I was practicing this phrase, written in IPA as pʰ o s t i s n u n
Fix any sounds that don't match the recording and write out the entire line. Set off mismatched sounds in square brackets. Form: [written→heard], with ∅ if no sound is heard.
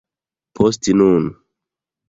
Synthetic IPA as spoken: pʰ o s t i [s→∅] n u n